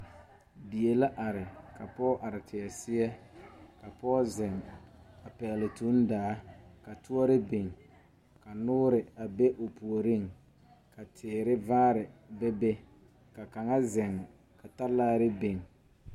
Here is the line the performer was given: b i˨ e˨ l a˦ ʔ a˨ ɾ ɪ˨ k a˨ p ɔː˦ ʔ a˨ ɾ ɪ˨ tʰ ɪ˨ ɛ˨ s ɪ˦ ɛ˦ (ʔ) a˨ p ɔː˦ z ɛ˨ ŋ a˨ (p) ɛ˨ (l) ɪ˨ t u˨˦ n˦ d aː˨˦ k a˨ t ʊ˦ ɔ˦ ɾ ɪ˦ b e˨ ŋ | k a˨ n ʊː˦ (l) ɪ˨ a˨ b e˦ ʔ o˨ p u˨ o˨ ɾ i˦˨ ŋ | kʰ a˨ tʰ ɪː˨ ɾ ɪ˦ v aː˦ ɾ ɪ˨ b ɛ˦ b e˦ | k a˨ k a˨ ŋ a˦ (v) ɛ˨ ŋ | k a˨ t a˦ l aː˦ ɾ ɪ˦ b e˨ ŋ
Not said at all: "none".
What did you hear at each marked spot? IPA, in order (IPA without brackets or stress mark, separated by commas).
k, p, l, ɾ, z